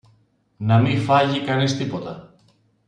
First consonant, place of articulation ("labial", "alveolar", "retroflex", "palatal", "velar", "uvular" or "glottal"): alveolar